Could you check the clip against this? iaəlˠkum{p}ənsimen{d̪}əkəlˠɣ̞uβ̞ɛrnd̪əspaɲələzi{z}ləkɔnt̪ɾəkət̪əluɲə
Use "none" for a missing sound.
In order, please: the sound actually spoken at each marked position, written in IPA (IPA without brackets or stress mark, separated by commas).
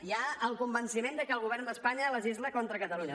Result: b, d̪, z